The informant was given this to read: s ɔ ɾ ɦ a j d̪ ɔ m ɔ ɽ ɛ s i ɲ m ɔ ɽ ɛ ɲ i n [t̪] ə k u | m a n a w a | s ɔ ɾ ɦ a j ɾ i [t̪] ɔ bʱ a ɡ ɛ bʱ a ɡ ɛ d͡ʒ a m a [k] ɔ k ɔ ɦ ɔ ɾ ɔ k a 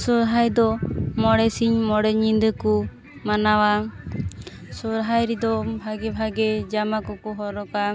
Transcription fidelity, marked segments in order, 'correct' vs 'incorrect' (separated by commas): incorrect, incorrect, correct